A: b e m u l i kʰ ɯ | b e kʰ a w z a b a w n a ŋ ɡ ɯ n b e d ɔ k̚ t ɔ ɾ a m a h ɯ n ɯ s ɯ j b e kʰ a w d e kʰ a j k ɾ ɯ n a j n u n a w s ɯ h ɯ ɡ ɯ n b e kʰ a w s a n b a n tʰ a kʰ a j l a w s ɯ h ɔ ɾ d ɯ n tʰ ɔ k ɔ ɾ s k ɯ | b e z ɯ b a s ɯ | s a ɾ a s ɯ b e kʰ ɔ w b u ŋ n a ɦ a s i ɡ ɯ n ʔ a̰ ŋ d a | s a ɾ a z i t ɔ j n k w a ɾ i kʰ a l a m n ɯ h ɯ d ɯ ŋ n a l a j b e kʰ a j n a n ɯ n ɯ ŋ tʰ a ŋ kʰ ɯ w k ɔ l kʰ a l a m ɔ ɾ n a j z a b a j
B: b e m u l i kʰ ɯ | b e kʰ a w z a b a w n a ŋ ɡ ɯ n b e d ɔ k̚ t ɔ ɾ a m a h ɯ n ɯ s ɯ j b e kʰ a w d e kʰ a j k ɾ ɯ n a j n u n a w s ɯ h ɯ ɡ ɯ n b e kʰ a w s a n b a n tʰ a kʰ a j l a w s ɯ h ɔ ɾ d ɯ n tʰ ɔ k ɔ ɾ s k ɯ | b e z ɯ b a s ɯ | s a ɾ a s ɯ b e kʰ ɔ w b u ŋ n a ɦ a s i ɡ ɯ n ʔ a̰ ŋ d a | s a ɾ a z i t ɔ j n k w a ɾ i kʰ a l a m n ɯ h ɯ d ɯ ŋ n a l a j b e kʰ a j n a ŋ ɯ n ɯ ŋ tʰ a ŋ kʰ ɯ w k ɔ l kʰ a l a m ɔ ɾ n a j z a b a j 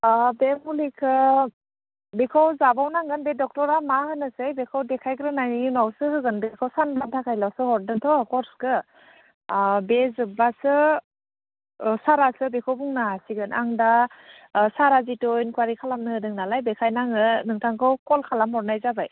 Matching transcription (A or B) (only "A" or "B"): B